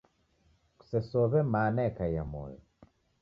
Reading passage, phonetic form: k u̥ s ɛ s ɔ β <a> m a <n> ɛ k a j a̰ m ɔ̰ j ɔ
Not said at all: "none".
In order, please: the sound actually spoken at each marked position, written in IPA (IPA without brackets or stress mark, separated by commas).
ɛ, n